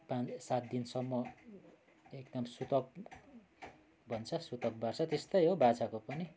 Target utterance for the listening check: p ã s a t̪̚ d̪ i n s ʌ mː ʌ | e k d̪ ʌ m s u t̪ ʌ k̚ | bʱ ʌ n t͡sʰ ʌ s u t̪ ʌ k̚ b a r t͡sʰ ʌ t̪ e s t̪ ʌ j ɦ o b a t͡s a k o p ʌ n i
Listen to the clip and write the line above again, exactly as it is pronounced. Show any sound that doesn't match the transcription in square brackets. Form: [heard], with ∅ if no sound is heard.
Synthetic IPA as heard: p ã s a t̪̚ d̪ i n s ʌ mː ʌ | e k d̪ ʌ m s u t̪ ʌ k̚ | bʱ ʌ n t͡sʰ ʌ s u t̪ ʌ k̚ b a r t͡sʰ ʌ t̪ e s t̪ ʌ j ɦ o b a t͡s a k o p ʌ n i